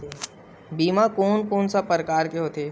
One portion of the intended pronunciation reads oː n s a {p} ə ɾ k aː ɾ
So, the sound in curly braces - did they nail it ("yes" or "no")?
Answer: yes